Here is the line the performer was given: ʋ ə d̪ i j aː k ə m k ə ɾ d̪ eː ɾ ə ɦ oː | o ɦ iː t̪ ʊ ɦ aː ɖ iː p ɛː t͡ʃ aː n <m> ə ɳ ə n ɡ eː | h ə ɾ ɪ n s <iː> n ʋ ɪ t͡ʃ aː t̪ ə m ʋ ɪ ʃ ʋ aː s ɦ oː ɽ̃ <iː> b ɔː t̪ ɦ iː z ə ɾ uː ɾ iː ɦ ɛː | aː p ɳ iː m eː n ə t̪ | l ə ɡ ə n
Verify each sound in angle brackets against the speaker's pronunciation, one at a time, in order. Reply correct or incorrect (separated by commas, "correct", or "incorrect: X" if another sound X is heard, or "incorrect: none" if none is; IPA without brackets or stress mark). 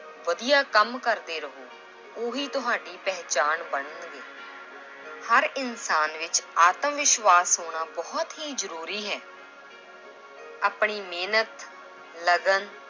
incorrect: b, incorrect: aː, incorrect: aː